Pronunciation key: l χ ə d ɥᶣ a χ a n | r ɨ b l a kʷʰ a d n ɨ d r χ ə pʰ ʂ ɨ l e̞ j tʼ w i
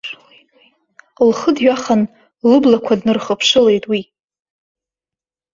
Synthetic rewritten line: l χ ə d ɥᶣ a χ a n | l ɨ b l a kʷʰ a d n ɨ r χ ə pʰ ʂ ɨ l e̞ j tʼ w i